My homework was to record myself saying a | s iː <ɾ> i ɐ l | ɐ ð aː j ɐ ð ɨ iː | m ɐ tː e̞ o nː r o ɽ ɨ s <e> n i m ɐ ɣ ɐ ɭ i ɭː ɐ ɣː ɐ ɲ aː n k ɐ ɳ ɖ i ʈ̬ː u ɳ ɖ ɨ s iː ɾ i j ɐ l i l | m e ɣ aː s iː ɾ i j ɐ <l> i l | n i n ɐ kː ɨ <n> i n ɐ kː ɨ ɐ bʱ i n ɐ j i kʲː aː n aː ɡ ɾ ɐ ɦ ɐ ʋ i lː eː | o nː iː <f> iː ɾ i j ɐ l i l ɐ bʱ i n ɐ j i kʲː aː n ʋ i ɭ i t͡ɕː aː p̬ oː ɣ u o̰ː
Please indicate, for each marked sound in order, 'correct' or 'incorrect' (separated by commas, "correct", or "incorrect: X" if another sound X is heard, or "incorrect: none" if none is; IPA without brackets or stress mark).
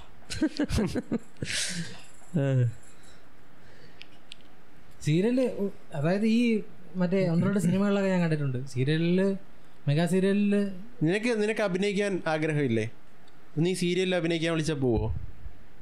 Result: correct, incorrect: i, correct, correct, incorrect: s